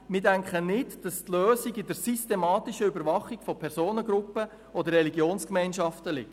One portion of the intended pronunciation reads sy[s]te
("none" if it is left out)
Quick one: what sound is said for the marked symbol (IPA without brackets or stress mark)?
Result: s